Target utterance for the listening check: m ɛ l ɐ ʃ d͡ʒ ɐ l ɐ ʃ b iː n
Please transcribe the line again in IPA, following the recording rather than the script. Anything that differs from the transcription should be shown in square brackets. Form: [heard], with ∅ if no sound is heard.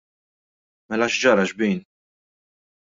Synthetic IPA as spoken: m ɛ l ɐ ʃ d͡ʒ ɐ [ɾ] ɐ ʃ b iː n